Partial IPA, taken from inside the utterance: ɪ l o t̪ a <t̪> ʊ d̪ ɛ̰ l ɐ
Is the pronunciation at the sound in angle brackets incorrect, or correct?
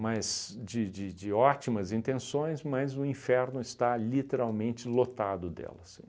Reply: incorrect: d̪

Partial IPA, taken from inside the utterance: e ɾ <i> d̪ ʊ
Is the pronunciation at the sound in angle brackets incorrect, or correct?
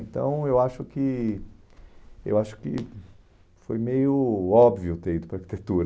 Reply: correct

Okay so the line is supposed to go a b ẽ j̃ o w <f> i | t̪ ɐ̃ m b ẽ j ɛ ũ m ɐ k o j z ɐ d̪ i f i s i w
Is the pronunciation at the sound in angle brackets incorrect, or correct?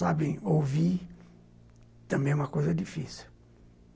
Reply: incorrect: v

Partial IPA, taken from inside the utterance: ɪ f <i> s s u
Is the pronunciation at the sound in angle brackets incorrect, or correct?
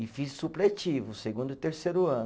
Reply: correct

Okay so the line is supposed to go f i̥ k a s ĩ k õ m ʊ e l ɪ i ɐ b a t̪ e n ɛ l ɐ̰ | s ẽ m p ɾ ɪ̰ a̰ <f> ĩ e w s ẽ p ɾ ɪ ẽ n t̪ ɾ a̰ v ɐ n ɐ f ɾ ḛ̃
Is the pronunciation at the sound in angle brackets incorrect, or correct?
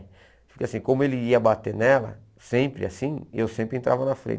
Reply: incorrect: s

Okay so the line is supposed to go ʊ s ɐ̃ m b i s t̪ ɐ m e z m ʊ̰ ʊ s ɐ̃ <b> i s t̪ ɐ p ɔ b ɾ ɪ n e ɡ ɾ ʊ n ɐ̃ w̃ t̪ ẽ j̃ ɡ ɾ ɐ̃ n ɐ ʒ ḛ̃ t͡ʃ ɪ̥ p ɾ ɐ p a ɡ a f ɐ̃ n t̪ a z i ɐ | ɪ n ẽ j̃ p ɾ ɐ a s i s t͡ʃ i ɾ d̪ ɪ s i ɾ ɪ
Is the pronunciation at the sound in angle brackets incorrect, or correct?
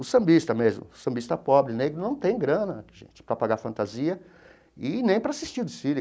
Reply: correct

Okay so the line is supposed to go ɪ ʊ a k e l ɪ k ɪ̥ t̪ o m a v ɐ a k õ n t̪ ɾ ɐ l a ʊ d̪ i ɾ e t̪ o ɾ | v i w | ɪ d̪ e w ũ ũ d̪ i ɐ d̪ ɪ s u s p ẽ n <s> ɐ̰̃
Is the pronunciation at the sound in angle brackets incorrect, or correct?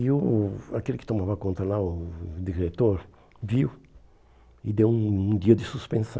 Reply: correct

